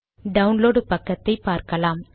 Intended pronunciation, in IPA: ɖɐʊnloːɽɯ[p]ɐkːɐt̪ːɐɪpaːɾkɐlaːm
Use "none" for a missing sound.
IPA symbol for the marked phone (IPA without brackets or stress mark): p